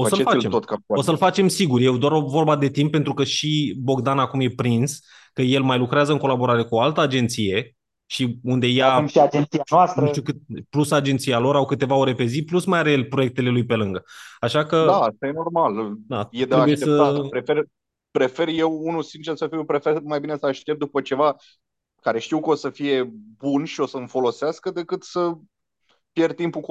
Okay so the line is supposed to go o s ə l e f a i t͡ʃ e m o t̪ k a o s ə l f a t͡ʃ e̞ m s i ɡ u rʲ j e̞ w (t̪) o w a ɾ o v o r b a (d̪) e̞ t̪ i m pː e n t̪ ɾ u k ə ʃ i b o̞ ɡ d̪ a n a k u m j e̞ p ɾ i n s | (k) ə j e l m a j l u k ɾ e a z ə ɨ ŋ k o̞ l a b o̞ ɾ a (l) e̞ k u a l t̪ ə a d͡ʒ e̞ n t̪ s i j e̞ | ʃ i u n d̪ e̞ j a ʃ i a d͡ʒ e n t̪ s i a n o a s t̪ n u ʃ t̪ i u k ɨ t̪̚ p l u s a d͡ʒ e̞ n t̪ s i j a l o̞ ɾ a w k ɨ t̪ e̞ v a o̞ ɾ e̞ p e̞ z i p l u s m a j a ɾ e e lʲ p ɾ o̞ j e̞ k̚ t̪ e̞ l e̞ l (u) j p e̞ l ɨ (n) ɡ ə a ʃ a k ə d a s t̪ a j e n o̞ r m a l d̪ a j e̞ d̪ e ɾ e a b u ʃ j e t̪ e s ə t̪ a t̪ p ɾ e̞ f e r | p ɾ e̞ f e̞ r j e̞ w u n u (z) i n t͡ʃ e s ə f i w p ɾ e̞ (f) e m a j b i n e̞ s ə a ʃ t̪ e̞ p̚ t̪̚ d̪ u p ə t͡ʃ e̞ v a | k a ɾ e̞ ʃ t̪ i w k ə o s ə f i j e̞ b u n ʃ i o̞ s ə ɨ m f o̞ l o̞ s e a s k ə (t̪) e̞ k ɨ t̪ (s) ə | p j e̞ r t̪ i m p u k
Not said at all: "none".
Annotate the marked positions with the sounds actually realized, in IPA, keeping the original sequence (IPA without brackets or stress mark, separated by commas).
d̪, d̪, k, ɾ, u, ŋ, s, f, d̪, s